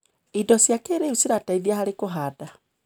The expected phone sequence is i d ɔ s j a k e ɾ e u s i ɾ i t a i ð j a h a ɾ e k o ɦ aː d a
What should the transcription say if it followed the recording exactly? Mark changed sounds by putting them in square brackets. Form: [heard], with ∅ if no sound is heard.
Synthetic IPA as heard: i d ɔ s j a k e ɾ e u s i ɾ [a] t a i ð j a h a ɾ e k o ɦ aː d a